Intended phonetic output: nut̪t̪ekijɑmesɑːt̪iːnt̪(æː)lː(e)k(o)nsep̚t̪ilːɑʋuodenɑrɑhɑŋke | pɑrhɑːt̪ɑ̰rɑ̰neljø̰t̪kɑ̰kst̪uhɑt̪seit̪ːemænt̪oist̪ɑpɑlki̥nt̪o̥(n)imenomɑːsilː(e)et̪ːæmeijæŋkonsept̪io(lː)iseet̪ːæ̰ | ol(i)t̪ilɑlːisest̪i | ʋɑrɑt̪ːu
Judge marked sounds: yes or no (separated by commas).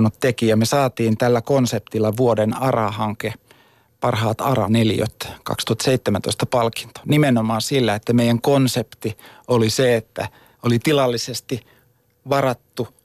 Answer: no, no, yes, yes, no, no, yes